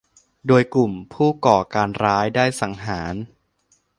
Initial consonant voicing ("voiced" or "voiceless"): voiced